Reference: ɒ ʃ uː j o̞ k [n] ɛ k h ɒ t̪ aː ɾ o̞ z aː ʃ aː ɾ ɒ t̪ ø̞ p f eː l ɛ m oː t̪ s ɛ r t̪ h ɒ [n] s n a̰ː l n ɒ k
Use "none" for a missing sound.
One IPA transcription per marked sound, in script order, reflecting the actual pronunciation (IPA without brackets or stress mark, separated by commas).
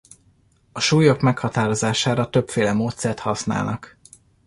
m, none